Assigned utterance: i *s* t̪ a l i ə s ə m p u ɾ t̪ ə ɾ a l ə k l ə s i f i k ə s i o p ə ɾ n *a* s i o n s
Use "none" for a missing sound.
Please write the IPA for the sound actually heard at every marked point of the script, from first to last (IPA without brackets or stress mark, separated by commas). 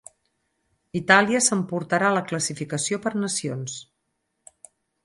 none, ə